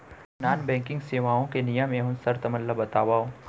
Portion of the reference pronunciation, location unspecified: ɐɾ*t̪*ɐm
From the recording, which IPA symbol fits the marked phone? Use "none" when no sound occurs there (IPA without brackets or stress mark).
t̪